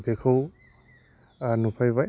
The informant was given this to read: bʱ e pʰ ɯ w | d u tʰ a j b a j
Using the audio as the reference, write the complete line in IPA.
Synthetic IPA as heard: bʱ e kʰ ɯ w | n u pʰ a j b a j